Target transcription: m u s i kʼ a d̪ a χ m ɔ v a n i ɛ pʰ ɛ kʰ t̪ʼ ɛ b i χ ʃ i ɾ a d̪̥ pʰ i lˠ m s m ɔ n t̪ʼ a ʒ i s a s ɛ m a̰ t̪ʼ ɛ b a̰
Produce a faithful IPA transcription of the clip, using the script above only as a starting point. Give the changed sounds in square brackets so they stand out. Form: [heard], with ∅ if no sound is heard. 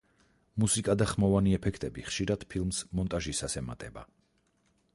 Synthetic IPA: m u s i kʼ a d̪ a χ m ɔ v a n i ɛ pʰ ɛ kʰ t̪ʼ ɛ b i χ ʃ i ɾ a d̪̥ pʰ i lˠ m s m ɔ n t̪ʼ a ʒ i s a s ɛ m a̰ t̪ʼ ɛ b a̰